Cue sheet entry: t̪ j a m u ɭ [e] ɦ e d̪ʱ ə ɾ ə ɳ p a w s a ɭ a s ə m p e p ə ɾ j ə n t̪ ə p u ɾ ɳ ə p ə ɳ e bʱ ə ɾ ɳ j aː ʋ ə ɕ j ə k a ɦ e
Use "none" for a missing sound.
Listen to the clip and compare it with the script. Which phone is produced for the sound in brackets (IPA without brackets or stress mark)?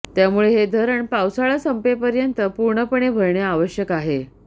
e